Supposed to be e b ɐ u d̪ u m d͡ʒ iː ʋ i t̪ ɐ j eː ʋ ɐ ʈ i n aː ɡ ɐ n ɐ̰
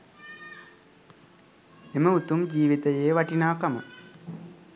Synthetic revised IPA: e m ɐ u t̪ u m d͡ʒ iː ʋ i t̪ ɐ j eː ʋ ɐ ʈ i n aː k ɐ m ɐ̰